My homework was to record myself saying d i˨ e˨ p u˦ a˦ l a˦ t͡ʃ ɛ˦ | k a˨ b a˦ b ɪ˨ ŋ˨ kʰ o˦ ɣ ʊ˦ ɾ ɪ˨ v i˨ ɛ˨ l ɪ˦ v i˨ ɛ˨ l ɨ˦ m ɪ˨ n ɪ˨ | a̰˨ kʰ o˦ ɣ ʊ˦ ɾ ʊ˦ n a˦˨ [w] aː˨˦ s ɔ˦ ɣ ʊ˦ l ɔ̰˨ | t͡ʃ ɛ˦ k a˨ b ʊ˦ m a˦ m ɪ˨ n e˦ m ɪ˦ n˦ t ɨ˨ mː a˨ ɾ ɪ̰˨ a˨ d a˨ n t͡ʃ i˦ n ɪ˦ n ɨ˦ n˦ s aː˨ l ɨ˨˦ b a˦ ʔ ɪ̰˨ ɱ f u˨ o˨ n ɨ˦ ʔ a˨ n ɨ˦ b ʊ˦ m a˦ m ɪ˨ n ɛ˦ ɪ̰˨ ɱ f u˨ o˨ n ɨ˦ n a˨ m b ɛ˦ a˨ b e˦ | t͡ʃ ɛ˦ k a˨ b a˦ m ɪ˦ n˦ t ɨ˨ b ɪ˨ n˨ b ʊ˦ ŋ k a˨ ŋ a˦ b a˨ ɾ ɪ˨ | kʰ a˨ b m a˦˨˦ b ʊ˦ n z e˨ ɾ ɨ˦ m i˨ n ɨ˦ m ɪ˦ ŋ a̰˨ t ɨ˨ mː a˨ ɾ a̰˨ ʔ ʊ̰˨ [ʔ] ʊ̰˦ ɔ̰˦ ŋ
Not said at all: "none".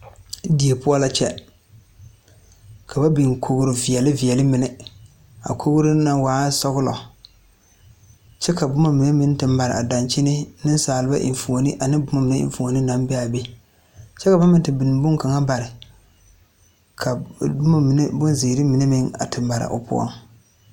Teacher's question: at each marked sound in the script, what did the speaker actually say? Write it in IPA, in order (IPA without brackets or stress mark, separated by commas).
w, p